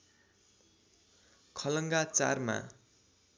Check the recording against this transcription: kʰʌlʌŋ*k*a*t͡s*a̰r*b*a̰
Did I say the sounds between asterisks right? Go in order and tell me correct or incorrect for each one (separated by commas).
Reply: incorrect, correct, incorrect